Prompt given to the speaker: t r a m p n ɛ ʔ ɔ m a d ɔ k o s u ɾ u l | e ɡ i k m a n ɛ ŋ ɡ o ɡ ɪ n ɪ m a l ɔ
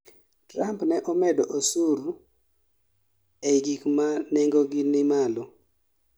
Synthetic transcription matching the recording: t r a m p n ɛ ʔ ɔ m ɛ d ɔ ʔ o s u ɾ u | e ɡ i k m a n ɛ ŋ ɡ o ɡ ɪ n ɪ m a l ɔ